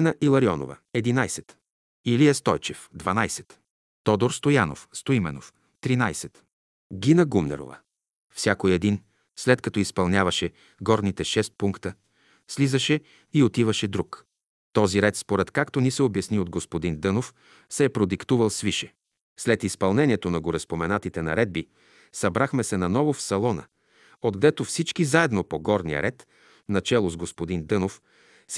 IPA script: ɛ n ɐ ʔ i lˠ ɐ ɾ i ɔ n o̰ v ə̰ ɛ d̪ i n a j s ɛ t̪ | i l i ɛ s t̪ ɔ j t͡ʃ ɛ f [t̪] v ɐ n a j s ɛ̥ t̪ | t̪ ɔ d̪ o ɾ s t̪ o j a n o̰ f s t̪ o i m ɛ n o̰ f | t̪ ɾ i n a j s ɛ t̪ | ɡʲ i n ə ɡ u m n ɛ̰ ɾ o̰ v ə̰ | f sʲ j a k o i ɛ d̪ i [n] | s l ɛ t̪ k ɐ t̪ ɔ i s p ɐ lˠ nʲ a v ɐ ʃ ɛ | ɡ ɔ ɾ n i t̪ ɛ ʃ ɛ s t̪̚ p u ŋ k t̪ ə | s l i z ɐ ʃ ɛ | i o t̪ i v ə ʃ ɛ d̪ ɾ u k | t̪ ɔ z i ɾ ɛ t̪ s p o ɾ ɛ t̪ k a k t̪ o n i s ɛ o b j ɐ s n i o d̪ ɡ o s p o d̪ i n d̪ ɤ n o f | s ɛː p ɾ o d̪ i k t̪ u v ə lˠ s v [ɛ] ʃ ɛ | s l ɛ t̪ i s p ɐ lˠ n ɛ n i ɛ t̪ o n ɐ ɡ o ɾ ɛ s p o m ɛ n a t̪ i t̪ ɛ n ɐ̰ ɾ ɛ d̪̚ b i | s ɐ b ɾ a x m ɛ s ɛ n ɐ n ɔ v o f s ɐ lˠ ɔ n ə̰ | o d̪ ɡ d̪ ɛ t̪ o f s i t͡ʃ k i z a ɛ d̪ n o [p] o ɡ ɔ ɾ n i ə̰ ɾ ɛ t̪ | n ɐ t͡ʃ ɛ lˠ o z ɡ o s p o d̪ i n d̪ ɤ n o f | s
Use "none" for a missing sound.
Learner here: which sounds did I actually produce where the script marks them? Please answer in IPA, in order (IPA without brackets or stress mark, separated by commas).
d̪, n, i, p